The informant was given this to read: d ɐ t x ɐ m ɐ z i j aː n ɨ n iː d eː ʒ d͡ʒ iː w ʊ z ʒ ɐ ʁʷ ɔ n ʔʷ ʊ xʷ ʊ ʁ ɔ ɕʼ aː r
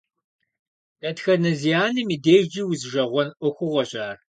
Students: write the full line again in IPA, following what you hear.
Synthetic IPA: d ɐ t x ɐ n ɐ z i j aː n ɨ m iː d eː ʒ d͡ʒ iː w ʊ z ʒ ɐ ʁʷ ɔ n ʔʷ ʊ xʷ ʊ ʁ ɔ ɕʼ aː r

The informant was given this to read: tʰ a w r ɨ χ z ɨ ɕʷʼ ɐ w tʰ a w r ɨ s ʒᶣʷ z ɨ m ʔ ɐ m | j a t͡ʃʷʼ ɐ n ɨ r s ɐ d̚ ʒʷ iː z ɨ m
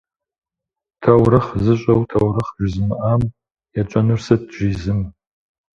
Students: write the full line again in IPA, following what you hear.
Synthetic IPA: tʰ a w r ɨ χ z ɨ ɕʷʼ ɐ w tʰ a w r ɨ χ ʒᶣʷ z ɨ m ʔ a m | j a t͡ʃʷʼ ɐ n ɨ r s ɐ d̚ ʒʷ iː z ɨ m

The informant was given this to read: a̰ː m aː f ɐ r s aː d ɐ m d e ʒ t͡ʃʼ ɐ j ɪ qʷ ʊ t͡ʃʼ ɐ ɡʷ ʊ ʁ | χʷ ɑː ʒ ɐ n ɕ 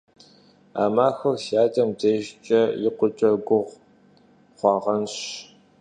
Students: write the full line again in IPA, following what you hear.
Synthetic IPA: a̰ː m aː x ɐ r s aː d ɐ m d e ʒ t͡ʃʼ ɐ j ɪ qʷ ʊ t͡ʃʼ ɐ ɡʷ ʊ ʁ | χʷ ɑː ʁ ɐ n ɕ

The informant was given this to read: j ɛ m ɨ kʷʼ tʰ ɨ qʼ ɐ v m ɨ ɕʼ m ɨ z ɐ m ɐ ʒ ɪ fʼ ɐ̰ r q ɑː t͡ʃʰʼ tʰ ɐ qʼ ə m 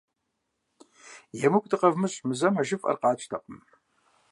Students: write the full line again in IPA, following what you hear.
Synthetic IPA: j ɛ m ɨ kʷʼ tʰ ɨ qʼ ɐ v m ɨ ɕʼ m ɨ z ɐ m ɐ ʒ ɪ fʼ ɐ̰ r q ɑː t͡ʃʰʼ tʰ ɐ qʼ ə m

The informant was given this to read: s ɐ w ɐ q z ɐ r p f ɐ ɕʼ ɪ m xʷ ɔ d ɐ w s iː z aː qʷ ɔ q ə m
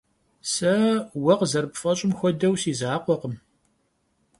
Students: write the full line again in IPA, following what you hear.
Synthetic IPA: s ɐ w ɐ q z ɐ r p f ɐ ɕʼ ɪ m xʷ ɔ d ɐ w s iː z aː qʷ ɔ q ə m

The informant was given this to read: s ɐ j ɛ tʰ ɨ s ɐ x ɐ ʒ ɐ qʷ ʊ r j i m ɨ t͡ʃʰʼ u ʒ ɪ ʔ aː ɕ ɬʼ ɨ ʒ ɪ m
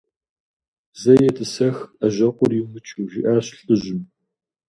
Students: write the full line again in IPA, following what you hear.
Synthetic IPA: z ɐ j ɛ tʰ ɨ s ɐ x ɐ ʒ ɐ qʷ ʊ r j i m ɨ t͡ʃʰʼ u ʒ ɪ ʔ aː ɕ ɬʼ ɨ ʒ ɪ m

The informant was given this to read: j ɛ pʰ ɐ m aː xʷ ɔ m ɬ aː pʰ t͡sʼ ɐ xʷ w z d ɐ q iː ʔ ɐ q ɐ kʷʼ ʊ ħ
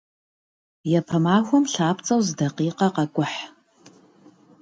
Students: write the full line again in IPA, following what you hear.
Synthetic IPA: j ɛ pʰ ɐ m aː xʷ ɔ m ɬ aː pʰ t͡sʼ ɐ w z d ɐ q iː q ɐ q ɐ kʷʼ ʊ ħ

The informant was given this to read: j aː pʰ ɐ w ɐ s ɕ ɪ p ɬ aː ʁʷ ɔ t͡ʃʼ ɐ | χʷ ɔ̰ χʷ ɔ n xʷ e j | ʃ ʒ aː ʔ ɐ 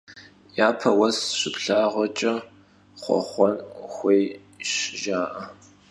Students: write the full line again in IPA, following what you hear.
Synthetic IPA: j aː pʰ ɐ w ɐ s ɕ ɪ p ɬ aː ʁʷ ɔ t͡ʃʼ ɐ | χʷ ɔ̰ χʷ ɔ n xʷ e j | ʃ ʒ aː ʔ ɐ

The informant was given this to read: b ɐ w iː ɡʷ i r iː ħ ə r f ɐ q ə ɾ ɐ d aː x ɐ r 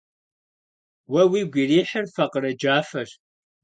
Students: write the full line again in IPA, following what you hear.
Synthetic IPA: w ɐ w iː ɡʷ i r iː ħ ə r f ɐ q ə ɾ ɐ d͡ʒ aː f ɐ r

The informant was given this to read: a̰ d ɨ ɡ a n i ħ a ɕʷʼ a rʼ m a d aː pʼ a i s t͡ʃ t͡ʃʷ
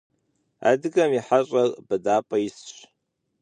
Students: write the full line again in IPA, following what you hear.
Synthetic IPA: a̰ d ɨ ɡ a m i ħ a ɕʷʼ a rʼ b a d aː pʼ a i s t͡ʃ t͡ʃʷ

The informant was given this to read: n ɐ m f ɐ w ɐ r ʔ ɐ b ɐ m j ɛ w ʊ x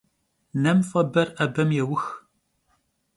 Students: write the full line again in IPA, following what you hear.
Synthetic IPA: n ɐ m f ɐ b ɐ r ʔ ɐ b ɐ m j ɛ w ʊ x

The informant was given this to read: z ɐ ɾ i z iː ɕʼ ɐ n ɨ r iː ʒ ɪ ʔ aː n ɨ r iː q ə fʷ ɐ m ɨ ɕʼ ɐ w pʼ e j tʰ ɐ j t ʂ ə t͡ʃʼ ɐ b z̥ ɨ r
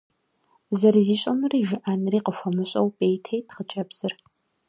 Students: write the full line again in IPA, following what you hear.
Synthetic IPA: z ɐ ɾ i z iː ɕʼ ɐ m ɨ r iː ʒ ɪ ʔ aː n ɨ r iː q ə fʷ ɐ m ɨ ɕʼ ɐ w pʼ e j tʰ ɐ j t χ ə t͡ʃʼ ɐ b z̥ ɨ r

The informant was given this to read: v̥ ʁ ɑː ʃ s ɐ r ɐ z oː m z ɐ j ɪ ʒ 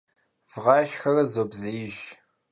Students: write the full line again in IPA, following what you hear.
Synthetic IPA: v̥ ʁ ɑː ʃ x ɐ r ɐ z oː b z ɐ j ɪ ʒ

